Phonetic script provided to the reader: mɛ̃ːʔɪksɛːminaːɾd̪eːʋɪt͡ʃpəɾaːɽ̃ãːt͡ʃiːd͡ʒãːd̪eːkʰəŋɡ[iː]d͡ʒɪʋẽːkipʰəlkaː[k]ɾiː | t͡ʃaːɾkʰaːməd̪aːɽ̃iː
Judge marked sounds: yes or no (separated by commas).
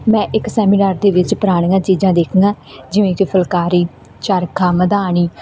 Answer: no, no